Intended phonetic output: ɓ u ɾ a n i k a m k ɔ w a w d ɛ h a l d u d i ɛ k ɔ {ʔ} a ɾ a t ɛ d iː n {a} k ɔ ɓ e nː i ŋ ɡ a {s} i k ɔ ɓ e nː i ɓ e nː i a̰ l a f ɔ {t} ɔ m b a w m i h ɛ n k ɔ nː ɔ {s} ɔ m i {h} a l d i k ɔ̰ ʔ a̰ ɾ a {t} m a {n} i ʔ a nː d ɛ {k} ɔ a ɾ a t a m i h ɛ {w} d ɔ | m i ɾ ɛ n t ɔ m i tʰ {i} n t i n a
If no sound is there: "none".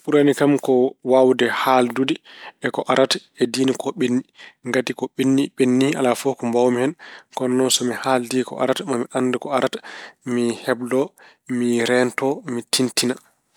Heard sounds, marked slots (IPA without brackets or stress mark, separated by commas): ʔ, i, t, k, s, h, t, m, k, b, i